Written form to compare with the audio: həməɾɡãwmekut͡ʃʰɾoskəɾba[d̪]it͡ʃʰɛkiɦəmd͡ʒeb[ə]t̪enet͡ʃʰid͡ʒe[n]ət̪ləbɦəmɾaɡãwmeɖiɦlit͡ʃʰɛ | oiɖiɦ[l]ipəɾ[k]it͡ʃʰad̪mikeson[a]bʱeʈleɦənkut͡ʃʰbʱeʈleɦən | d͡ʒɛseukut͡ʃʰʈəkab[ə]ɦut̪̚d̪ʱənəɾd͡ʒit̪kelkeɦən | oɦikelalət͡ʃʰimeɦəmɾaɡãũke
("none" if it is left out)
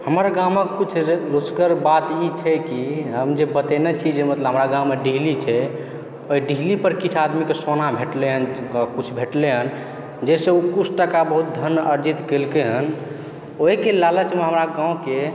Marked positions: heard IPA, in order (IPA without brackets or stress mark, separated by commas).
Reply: t̪, ə, m, l, k, a, ə